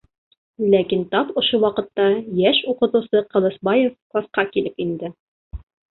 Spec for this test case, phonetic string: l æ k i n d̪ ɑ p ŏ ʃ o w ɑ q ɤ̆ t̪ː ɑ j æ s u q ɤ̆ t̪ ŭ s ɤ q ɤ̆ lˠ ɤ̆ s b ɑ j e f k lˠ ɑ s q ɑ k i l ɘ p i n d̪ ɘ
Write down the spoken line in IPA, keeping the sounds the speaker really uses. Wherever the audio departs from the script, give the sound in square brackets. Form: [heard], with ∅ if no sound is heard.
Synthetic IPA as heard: l æ k i n [t̪] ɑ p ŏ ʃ o w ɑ q ɤ̆ t̪ː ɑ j æ [ʃ] u q ɤ̆ t̪ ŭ s ɤ q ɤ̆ lˠ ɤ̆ s b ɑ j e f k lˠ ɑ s q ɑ k i l ɘ p i n d̪ ɘ